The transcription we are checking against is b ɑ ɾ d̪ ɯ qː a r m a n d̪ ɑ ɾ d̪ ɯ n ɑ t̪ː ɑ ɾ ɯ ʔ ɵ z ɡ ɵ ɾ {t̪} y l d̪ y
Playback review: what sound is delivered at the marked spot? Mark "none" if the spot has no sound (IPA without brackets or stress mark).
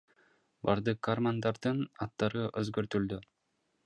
t̪